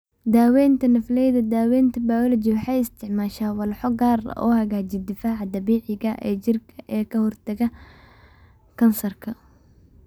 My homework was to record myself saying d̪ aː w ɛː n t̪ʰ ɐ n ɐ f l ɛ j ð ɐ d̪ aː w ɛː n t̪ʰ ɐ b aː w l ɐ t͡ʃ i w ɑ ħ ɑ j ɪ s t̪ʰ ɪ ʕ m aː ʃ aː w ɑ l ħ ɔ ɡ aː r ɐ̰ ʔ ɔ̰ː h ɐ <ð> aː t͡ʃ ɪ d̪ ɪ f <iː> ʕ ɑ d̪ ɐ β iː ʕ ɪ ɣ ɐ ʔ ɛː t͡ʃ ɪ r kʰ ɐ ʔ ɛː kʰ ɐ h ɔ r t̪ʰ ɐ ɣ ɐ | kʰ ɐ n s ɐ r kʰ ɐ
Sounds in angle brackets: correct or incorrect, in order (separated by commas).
incorrect, incorrect